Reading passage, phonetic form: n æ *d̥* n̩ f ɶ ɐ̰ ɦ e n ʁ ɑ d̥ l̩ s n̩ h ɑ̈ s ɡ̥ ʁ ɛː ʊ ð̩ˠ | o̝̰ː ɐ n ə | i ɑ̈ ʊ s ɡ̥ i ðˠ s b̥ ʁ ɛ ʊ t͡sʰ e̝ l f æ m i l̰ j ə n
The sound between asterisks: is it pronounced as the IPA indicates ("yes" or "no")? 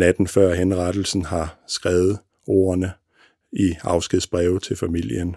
yes